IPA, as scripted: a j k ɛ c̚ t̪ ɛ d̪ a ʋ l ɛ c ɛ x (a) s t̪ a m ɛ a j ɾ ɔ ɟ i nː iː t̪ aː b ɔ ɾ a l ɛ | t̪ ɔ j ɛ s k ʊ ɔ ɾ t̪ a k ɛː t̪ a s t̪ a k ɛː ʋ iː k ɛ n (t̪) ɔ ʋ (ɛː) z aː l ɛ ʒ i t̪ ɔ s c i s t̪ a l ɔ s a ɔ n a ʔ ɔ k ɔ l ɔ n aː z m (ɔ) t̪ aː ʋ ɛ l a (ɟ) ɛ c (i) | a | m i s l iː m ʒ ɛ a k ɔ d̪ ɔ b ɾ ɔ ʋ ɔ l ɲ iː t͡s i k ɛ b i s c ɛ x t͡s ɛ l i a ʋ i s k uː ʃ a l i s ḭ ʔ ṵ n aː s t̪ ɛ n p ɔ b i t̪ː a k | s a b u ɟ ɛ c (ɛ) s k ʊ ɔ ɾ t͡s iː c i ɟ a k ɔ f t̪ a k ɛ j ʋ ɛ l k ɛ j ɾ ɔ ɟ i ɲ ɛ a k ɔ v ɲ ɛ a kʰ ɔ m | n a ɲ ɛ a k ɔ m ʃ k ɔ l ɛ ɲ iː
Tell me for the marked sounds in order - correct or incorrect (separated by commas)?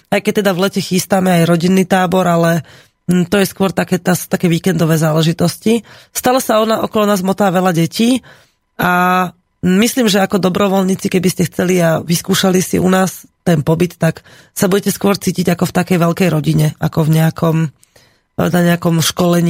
incorrect, incorrect, correct, correct, correct, incorrect, correct